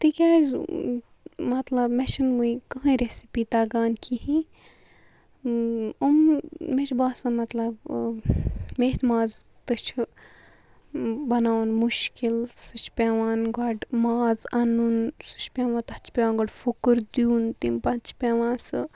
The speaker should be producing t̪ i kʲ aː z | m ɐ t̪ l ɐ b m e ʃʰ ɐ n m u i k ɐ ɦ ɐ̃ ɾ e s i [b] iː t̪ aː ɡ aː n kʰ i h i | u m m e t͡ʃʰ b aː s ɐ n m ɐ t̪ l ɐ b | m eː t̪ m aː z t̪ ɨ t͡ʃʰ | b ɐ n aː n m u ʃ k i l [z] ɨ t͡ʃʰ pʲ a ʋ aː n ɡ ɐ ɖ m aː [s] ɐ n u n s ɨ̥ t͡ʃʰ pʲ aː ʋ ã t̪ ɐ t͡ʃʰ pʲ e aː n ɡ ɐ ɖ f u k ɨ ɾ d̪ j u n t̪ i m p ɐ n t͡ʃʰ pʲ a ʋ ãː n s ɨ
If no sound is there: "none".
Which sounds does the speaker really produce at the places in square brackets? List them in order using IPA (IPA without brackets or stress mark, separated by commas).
p, s, z